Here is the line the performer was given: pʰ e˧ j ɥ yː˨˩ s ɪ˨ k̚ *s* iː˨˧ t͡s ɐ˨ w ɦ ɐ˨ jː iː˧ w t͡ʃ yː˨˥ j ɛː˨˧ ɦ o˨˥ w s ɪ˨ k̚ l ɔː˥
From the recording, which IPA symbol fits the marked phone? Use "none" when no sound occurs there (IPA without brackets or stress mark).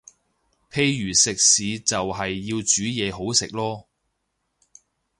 s